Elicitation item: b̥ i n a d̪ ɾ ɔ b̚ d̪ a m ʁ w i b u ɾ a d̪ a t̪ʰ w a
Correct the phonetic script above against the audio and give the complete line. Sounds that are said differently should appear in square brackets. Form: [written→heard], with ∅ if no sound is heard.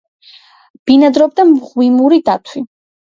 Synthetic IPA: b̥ i n a d̪ ɾ ɔ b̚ d̪ a m ʁ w i [b→m] u ɾ [a→i] d̪ a t̪ʰ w [a→i]